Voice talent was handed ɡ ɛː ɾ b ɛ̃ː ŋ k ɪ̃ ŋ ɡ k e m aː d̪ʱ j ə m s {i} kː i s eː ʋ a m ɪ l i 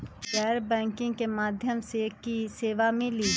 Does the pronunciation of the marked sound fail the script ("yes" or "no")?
yes